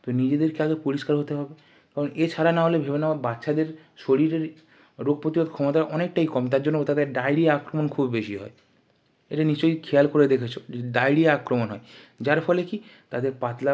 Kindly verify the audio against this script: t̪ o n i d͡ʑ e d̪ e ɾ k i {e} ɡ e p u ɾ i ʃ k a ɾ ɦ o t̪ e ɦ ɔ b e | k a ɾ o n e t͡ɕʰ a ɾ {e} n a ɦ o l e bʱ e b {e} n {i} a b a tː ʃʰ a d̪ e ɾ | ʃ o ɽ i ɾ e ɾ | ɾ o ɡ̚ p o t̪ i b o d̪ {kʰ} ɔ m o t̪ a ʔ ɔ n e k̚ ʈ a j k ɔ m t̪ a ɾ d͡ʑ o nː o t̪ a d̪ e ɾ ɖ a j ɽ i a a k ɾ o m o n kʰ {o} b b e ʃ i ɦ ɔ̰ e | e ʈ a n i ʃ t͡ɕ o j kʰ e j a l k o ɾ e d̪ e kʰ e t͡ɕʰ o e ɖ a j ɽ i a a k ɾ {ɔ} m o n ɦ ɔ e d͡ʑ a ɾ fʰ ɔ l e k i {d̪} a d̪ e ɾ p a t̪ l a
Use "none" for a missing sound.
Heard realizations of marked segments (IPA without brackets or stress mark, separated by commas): a, a, e, a, kʰ, u, o, t̪